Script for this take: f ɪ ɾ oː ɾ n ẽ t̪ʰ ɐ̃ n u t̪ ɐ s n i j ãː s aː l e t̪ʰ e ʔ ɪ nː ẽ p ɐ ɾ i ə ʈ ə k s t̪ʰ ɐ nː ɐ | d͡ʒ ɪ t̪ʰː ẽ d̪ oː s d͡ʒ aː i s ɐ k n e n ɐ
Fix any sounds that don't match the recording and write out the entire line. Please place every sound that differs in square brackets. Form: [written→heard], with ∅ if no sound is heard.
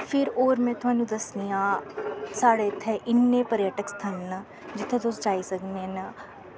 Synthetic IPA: f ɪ ɾ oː ɾ [n→m] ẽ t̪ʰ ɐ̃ n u [t̪→d̪] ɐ s n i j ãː s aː [l→ɽ] e t̪ʰ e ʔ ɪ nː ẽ p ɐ ɾ [i→j] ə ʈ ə k s t̪ʰ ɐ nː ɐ | d͡ʒ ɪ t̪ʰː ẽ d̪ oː s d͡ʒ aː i s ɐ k n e n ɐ